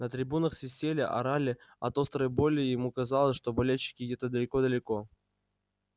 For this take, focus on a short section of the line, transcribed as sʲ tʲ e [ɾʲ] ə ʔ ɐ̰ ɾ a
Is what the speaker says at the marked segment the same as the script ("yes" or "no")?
no